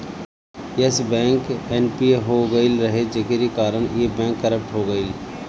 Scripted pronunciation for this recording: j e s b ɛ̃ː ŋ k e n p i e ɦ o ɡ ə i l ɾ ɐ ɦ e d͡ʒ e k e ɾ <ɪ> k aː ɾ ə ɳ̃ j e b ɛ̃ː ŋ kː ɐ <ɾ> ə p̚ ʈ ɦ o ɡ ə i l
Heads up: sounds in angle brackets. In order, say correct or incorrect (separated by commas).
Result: incorrect, correct